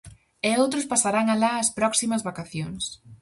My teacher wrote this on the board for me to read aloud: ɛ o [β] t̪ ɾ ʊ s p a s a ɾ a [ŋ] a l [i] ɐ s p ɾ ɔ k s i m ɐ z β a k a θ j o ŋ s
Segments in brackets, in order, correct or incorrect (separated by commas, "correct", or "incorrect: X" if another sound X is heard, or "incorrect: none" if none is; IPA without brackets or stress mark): incorrect: w, correct, incorrect: a